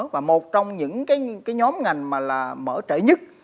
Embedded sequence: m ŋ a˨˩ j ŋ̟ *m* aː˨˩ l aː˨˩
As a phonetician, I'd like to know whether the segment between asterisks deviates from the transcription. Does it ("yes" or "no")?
no